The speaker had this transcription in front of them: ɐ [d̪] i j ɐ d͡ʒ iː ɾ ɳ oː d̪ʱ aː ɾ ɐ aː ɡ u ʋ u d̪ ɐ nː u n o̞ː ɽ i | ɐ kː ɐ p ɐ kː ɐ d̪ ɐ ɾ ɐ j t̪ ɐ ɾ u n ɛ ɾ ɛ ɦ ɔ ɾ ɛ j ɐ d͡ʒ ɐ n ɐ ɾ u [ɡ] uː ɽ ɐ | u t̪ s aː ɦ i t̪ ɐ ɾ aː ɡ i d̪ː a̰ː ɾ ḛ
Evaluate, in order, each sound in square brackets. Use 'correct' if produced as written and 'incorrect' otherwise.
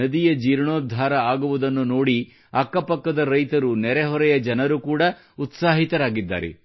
correct, incorrect: k

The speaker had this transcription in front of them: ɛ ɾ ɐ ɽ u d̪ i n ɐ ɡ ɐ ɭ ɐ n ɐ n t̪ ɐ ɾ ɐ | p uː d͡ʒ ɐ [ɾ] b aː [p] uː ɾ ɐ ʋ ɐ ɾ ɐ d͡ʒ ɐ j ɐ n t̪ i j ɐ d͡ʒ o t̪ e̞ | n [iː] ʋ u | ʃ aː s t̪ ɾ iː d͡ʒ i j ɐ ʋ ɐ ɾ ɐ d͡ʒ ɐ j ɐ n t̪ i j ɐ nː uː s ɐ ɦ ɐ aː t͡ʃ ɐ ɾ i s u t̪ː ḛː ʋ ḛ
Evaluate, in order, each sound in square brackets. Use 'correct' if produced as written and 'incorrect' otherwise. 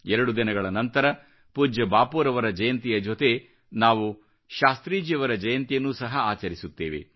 incorrect: none, correct, incorrect: aː

